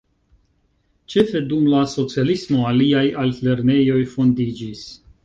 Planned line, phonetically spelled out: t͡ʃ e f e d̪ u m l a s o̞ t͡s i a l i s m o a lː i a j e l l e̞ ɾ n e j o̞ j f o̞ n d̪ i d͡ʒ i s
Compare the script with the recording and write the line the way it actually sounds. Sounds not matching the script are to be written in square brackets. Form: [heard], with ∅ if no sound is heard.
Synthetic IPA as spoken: t͡ʃ e f e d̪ u m l a s o̞ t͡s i a l i s m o a [l] i a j [a] l l e̞ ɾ n e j o̞ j f o̞ n d̪ i d͡ʒ i s